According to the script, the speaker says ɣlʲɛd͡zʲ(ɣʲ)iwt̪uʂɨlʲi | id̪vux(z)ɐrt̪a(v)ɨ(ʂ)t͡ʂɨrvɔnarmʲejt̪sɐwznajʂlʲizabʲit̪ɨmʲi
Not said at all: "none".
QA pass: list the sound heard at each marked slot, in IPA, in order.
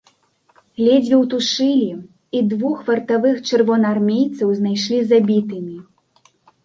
vʲ, v, v, x

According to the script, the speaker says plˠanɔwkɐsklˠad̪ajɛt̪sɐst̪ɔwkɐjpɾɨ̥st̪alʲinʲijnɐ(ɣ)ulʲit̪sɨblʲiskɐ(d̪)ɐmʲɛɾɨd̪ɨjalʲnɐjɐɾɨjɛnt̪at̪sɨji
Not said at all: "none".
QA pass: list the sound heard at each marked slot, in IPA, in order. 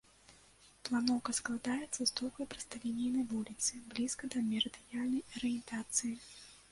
v, d̪

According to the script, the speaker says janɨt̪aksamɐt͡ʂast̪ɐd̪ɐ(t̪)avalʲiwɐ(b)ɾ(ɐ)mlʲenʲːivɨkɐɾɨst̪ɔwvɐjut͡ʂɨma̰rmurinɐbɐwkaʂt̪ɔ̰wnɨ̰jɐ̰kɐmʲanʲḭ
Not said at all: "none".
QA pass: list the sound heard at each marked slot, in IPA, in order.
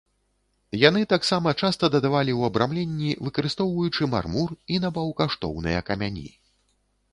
d̪, b, a

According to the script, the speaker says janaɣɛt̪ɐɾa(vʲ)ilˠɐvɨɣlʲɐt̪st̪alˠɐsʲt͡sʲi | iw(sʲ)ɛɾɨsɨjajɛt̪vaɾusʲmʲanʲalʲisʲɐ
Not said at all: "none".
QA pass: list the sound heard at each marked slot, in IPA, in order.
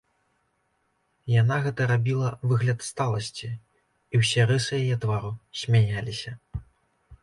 bʲ, sʲ

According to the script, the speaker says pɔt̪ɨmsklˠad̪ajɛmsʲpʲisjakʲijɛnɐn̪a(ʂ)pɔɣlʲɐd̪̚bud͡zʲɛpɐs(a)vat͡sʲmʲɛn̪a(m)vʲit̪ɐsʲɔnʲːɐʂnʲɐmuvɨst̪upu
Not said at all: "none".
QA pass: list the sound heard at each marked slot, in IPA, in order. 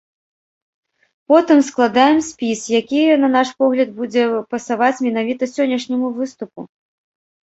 ʂ, a, none

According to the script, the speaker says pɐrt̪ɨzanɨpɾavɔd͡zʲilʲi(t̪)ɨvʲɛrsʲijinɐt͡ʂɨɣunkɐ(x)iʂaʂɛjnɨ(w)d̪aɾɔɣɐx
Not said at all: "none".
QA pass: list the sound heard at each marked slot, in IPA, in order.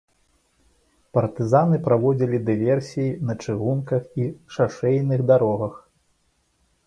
d̪, x, ɣ

